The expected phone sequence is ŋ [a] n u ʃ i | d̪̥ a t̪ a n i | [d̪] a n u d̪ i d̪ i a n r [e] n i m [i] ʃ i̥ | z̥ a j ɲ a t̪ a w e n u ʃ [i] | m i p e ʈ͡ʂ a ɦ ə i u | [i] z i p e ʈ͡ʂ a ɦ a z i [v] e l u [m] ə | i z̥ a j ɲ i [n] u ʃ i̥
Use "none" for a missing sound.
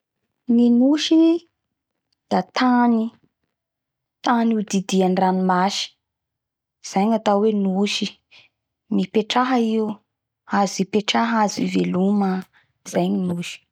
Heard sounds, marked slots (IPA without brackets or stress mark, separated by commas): i, t̪, a, a, i, a, v, m, n